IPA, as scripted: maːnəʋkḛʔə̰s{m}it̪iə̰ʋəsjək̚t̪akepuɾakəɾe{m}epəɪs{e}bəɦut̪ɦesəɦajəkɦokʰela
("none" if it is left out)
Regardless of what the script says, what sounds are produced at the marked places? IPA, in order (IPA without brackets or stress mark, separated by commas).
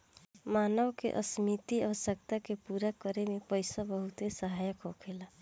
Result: m, m, a